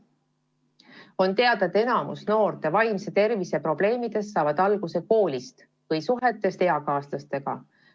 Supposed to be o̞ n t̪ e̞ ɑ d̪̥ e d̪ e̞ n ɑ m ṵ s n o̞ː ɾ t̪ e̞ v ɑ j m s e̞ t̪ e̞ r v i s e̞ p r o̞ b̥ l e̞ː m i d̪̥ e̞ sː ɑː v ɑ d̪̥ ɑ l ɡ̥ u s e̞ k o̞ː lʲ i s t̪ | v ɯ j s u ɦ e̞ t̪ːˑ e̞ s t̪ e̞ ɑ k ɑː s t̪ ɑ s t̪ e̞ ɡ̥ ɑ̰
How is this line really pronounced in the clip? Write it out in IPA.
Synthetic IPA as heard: o̞ n t̪ e̞ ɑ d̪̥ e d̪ e̞ n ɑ m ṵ s n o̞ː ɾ t̪ e̞ v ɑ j m s e̞ t̪ e̞ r v i s e̞ p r o̞ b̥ l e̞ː m i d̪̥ e̞ sː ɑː v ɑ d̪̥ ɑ l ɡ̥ u s e̞ k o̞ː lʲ i s t̪ | v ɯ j s u ɦ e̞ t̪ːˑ e̞ s t̪ e̞ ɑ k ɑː s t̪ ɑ s t̪ e̞ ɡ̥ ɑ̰